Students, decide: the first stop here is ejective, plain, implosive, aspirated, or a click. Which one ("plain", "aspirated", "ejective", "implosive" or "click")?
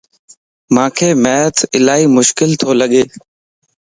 aspirated